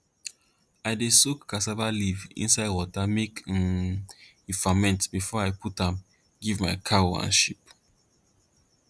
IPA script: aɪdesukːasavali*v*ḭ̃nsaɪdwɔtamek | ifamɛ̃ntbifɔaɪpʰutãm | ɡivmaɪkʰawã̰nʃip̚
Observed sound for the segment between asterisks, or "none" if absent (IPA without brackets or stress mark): v